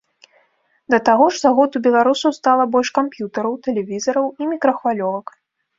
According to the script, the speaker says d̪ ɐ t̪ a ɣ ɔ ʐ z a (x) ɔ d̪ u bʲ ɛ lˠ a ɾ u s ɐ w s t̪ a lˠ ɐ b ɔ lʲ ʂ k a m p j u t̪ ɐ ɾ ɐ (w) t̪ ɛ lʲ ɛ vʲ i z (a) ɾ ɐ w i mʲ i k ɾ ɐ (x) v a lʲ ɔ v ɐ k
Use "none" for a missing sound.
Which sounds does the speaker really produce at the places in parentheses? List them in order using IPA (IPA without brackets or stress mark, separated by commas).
ɣ, w, ɐ, x